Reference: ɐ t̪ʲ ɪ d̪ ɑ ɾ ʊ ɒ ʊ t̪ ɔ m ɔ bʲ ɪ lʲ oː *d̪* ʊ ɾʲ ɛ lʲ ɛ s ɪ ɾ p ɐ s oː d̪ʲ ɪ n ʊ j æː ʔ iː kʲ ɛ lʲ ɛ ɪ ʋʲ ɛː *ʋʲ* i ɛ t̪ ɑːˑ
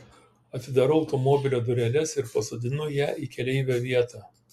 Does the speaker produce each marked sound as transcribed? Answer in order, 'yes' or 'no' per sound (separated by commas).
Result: yes, yes